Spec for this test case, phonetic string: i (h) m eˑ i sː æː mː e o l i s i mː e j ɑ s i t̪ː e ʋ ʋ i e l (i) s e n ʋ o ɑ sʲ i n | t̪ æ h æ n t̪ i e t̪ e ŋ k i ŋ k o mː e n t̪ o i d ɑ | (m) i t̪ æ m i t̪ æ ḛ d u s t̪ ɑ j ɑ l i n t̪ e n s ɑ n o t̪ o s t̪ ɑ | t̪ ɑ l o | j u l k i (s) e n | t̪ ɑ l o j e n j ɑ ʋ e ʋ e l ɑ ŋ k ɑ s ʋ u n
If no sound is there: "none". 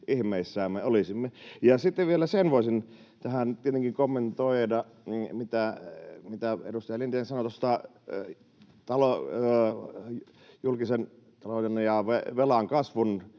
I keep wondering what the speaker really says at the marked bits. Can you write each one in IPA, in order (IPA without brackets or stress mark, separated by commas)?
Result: h, æ, m, s